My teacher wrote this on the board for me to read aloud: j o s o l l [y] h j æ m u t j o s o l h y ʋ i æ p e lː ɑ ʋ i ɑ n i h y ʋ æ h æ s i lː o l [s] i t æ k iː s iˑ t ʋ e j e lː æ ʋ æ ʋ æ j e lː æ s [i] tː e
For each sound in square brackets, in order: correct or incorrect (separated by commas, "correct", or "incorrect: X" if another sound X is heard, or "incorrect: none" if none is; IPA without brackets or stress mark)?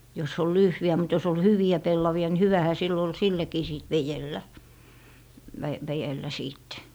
correct, correct, incorrect: iː